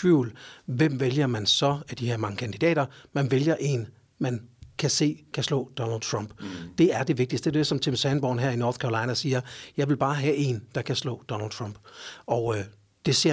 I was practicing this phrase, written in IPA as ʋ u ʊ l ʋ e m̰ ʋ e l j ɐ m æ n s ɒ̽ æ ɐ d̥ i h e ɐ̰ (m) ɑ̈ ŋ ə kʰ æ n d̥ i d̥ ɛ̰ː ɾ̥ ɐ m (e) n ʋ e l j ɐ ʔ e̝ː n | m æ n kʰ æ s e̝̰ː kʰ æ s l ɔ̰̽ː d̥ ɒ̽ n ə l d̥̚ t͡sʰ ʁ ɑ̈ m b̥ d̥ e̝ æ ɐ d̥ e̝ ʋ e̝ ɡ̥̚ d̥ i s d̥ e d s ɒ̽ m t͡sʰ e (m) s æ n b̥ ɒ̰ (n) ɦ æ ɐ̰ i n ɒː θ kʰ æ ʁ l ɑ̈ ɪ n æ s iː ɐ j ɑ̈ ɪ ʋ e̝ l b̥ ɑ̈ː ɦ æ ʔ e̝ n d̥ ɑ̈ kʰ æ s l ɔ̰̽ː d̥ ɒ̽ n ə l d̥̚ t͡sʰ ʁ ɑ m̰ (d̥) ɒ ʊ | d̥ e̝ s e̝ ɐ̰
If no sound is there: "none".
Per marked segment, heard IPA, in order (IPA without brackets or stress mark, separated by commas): m, æ, m, n, b̥